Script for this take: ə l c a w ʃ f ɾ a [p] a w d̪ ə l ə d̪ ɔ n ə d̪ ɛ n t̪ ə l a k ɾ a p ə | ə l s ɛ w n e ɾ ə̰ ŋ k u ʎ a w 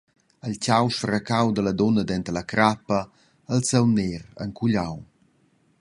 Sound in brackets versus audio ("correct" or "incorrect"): incorrect